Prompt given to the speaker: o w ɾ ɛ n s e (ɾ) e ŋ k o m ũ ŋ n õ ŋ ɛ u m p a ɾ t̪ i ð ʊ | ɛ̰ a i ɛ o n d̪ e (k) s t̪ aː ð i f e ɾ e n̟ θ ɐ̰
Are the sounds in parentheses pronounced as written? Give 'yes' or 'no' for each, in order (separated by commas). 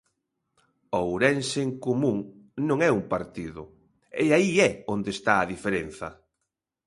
no, no